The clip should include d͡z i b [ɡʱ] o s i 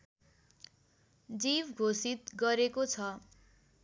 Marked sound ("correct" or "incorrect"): correct